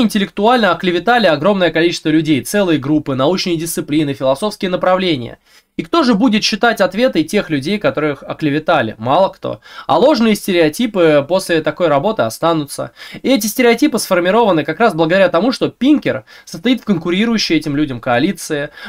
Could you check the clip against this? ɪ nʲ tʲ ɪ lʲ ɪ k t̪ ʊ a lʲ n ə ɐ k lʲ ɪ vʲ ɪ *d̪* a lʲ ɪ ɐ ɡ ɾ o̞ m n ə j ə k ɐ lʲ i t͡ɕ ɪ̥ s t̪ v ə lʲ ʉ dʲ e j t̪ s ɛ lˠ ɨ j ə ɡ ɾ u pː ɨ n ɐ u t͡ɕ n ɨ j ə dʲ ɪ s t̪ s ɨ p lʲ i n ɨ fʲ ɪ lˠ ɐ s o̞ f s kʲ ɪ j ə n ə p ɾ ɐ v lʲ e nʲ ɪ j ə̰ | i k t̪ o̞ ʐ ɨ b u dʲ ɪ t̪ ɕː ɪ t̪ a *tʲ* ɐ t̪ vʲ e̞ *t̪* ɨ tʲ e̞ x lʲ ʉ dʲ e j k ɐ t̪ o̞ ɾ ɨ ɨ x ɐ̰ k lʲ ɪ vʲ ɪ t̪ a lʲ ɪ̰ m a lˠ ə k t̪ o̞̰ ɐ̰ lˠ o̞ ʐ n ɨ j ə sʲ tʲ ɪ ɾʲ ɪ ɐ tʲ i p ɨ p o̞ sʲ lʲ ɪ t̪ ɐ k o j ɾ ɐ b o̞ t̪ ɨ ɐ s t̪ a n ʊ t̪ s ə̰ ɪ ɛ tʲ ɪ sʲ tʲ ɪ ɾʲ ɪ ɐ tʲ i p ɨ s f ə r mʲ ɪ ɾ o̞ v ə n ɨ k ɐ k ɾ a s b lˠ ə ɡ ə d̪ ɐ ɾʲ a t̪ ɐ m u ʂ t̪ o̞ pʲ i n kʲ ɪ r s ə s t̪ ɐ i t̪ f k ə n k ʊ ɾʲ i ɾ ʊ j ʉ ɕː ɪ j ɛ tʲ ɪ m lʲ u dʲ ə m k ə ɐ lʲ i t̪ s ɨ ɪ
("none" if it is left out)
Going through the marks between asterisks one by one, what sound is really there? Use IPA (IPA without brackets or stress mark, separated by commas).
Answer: t̪, tʲ, t̪